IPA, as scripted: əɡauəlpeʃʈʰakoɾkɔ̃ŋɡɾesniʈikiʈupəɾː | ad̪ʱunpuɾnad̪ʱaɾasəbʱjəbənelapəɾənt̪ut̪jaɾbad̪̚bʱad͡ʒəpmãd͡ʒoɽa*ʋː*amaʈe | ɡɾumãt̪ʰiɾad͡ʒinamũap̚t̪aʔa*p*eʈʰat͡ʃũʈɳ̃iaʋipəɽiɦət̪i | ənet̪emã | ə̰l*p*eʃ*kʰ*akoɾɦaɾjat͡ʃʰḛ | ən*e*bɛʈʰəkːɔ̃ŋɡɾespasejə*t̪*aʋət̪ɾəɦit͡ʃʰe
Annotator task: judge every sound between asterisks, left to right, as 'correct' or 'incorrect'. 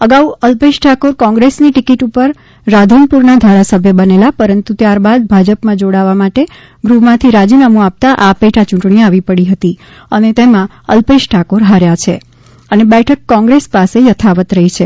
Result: incorrect, correct, correct, incorrect, correct, incorrect

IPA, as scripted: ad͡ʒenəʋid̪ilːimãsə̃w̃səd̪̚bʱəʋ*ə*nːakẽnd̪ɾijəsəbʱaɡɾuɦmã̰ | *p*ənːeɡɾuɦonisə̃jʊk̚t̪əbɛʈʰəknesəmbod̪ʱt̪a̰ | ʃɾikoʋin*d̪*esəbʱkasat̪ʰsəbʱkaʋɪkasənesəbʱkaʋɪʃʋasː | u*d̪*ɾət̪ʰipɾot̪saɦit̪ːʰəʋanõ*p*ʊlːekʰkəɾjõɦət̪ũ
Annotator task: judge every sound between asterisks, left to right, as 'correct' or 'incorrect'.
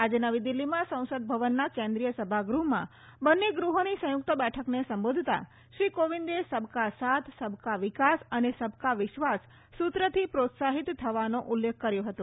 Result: correct, incorrect, correct, incorrect, incorrect

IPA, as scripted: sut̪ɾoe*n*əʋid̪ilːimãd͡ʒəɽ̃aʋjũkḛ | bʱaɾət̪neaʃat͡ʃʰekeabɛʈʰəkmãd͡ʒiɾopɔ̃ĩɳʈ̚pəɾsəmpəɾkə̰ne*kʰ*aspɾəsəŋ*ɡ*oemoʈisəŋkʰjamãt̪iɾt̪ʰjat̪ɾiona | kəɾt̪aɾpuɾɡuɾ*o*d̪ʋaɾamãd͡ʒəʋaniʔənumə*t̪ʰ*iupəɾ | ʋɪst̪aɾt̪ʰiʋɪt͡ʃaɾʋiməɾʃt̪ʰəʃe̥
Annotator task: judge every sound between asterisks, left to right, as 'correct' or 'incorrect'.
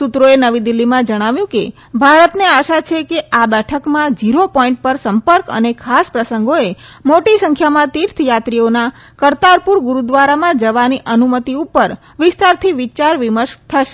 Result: correct, correct, correct, incorrect, incorrect

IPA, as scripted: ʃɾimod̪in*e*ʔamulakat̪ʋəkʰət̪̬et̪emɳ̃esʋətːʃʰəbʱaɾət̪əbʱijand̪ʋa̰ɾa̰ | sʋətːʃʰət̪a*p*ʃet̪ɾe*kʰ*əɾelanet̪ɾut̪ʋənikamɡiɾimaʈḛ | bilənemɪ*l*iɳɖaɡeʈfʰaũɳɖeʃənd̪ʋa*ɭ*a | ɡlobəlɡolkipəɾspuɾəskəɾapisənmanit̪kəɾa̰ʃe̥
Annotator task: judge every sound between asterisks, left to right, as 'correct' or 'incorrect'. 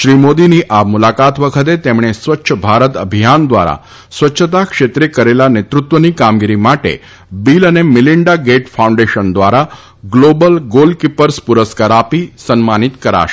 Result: incorrect, incorrect, incorrect, correct, incorrect

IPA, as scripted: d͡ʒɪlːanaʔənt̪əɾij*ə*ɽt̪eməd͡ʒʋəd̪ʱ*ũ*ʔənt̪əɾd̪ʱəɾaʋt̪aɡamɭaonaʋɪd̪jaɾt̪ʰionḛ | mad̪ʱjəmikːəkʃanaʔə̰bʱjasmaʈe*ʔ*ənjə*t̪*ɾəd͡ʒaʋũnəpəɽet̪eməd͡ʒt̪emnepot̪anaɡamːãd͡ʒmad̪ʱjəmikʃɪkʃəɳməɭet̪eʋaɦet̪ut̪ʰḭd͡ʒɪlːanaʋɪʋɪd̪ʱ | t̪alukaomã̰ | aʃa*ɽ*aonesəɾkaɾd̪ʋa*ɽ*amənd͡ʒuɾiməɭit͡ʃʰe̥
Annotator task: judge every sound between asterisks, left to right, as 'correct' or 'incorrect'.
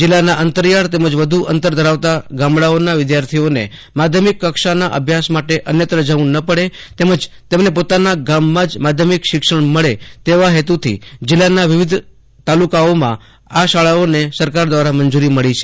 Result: incorrect, incorrect, correct, correct, incorrect, incorrect

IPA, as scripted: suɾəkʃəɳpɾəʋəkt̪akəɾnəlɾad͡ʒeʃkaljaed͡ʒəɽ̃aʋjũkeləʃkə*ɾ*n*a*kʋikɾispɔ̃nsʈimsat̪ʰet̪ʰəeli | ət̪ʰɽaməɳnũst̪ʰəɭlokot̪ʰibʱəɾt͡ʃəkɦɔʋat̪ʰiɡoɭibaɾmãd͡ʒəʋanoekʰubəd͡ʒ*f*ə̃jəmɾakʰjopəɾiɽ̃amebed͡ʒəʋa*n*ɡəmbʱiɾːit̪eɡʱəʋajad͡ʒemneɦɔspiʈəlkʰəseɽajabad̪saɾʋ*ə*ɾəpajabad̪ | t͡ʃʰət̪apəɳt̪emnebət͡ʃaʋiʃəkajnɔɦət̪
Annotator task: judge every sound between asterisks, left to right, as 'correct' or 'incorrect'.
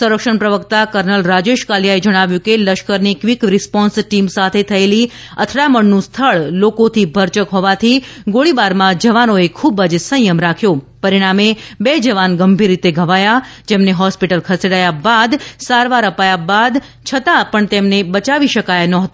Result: correct, incorrect, incorrect, correct, incorrect

